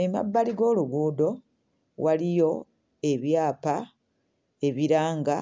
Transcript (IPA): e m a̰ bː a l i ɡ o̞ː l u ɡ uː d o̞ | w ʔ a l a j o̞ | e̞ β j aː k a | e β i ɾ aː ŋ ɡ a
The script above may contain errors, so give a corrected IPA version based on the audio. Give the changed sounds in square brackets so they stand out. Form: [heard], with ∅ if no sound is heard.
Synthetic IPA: e m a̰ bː a l i ɡ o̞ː l u ɡ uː d o̞ | w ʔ a l [i] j o̞ | e̞ β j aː [p] a | e β i ɾ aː ŋ ɡ a